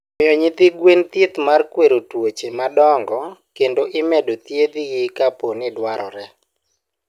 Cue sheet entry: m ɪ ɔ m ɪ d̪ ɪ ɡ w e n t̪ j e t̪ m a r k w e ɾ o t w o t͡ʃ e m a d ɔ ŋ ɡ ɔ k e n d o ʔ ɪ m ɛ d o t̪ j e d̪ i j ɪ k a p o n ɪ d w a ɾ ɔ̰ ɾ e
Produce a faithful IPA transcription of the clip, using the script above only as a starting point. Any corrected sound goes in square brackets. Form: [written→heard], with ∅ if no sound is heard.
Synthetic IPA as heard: m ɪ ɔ [m→ɲ] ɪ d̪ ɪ ɡ w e n t̪ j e t̪ m a r k w e ɾ o t w o t͡ʃ e m a d ɔ ŋ ɡ ɔ k e n d o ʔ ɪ m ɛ d o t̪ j e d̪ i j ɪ k a p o n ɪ d w a ɾ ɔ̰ ɾ [e→ɛ]